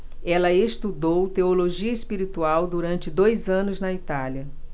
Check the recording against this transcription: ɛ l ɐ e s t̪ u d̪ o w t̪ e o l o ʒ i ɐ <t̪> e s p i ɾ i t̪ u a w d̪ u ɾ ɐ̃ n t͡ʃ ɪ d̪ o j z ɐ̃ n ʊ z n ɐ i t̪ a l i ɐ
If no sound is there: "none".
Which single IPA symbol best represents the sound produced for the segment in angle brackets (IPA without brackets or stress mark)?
none